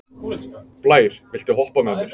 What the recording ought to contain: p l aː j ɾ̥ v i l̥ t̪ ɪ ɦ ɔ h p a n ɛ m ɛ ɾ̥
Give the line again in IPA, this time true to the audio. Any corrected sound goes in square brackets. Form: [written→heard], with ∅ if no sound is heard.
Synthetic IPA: p l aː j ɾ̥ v [i→ɪ] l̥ t̪ ɪ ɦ ɔ h p a [n→m] ɛ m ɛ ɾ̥